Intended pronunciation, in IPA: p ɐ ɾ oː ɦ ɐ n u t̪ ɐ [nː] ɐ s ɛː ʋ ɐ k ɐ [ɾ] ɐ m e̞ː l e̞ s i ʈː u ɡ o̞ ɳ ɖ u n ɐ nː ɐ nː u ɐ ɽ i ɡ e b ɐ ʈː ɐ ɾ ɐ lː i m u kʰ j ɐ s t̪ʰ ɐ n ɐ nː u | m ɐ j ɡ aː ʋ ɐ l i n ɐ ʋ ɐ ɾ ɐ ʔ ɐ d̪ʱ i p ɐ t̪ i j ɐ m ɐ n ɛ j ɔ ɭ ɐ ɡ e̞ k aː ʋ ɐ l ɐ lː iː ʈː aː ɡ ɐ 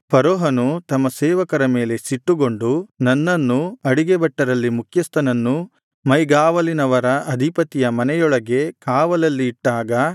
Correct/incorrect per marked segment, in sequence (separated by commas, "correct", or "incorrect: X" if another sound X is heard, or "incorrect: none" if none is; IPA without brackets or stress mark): incorrect: mː, correct